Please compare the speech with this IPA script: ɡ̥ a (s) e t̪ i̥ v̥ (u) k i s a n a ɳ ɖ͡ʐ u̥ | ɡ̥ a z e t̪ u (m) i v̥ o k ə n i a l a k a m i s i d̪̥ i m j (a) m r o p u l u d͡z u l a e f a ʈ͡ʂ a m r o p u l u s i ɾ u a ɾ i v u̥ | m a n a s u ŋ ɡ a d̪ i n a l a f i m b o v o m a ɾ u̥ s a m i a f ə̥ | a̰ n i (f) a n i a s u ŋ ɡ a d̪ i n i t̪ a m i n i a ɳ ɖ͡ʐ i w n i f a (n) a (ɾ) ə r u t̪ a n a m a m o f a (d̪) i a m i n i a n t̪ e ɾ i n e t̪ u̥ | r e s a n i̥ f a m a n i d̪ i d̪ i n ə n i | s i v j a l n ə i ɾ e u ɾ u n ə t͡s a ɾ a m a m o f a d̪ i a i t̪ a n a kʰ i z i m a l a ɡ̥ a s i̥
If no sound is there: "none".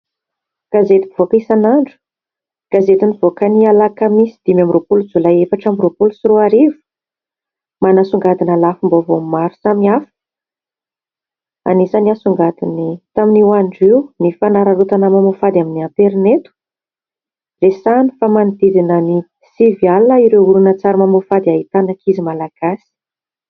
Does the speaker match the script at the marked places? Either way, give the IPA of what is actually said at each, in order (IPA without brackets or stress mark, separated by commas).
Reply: z, o, n, a, s, n, ɾ, d̪